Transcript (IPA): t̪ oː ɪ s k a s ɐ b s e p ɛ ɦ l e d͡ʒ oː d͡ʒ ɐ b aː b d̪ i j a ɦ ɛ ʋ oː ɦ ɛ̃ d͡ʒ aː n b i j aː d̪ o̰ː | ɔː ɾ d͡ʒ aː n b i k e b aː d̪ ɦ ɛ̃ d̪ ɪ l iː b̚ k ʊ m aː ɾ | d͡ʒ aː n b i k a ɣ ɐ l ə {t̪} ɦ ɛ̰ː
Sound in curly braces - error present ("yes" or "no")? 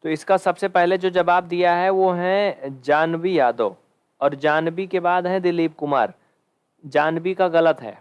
no